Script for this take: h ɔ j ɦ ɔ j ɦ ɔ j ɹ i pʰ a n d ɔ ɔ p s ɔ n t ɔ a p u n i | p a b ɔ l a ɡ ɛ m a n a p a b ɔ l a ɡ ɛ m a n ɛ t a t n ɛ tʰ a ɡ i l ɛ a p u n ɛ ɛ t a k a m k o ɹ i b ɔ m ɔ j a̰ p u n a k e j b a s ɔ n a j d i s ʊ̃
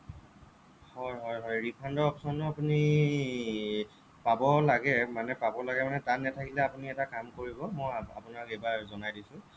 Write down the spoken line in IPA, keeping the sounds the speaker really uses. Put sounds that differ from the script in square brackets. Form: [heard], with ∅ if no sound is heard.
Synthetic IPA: h ɔ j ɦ ɔ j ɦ ɔ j ɹ i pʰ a n d ɔ ɔ p s ɔ n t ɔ a p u n i | p a b ɔ l a ɡ ɛ m a n [ɛ] p a b ɔ l a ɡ ɛ m a n ɛ t a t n ɛ tʰ a [k] i l ɛ a p u n [i] ɛ t a k a m k o ɹ i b ɔ m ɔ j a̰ p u n a k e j b a [z] ɔ n a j d i s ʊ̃